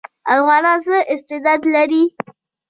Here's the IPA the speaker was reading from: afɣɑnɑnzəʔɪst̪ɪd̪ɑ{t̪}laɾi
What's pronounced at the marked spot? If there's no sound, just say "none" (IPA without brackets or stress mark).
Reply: d̪